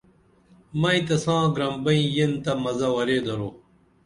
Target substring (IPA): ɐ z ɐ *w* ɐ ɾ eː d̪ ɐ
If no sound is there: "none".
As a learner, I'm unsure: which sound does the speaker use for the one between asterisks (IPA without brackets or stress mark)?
w